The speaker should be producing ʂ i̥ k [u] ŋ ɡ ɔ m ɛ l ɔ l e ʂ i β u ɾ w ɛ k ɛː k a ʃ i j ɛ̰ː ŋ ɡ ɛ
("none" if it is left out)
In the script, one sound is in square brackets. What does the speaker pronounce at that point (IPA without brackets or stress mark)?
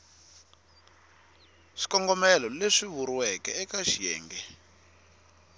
ɔ